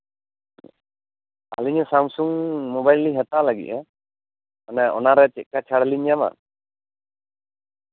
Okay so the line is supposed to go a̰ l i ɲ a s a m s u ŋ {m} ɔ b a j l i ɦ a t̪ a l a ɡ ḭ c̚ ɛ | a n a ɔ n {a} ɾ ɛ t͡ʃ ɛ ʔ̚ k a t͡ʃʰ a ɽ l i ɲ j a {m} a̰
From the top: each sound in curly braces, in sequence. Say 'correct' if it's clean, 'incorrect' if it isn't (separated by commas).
correct, correct, correct